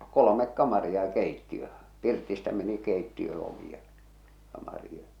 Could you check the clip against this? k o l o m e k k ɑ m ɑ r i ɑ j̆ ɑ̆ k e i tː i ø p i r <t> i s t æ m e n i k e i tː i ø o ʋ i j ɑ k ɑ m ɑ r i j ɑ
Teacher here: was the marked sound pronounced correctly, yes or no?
yes